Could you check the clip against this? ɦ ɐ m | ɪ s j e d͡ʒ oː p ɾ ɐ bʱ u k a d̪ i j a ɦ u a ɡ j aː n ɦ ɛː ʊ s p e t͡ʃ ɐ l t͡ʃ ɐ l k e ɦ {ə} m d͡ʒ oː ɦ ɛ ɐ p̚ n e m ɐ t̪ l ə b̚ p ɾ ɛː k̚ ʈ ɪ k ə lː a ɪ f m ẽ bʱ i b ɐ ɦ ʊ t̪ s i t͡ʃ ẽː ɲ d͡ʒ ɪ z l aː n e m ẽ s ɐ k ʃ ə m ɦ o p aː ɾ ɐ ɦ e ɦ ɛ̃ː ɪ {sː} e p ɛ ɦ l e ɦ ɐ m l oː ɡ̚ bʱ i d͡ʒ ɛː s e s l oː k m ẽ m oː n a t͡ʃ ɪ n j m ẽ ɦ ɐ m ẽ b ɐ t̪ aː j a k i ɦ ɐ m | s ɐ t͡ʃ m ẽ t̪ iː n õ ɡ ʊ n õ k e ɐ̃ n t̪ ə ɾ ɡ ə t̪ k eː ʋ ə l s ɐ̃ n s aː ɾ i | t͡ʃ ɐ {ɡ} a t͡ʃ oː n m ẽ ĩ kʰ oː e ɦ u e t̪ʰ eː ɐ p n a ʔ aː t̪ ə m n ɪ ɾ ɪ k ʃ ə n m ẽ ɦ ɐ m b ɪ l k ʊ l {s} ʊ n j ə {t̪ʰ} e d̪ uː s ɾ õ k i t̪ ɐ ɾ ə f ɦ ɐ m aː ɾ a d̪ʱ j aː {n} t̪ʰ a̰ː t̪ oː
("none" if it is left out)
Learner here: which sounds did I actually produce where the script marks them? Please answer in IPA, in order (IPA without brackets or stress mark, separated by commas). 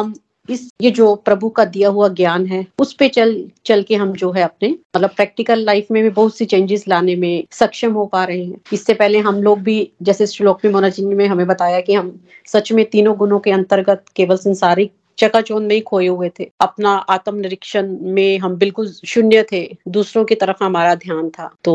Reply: ɐ, sː, k, ʃ, t̪ʰ, n